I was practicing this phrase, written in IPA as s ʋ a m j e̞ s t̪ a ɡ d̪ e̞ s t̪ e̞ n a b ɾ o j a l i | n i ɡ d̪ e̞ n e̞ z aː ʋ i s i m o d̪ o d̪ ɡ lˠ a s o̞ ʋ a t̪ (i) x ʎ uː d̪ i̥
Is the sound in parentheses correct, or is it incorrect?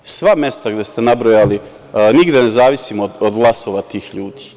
incorrect